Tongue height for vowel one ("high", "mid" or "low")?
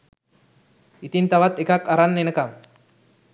high